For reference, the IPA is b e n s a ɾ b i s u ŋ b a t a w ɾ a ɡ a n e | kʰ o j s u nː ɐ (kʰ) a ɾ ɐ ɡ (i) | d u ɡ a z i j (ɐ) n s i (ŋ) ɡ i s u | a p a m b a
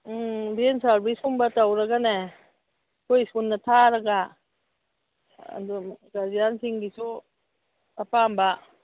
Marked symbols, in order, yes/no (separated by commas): no, no, no, yes